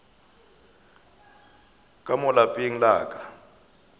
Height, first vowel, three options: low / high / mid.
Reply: low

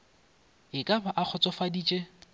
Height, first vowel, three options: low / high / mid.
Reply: high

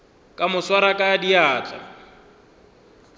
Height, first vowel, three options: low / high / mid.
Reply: low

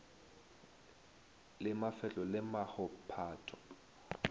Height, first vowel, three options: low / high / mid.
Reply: high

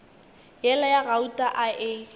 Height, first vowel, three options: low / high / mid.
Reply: mid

